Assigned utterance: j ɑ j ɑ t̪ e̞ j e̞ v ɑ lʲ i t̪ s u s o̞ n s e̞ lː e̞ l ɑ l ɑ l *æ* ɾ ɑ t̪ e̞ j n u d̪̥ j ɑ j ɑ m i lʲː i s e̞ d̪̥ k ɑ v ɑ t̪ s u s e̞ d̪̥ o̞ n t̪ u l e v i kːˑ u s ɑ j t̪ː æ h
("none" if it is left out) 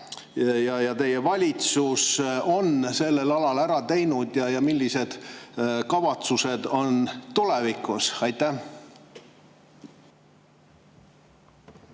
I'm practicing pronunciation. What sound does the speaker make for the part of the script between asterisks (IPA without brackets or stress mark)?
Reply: æ